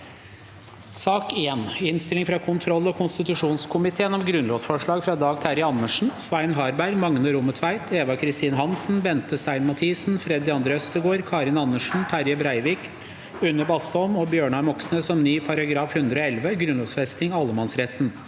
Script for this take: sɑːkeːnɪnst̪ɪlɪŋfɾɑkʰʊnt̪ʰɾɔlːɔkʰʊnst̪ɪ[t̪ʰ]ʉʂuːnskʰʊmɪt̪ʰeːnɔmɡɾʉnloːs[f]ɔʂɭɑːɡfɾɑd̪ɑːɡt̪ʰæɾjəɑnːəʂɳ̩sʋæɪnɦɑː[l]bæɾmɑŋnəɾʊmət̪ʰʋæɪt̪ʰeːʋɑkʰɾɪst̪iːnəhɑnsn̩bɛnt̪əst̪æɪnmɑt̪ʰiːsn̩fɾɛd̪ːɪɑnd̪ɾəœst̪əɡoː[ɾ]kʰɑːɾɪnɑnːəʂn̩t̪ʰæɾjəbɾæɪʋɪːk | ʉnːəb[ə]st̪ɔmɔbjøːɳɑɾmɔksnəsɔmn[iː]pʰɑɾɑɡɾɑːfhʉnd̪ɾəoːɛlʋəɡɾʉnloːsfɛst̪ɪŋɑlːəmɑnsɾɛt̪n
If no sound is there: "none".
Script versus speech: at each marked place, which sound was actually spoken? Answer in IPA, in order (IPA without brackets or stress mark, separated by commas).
t̪, f, ɾ, ɾ, ɑ, yː